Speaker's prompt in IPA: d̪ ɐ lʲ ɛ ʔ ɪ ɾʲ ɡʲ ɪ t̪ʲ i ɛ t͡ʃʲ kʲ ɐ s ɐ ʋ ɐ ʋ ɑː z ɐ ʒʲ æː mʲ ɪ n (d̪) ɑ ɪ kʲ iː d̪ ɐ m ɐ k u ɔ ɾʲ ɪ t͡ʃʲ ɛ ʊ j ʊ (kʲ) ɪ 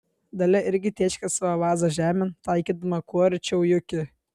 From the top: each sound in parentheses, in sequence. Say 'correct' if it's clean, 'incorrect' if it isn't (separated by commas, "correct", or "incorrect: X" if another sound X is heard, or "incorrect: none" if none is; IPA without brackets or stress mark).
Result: incorrect: t̪, correct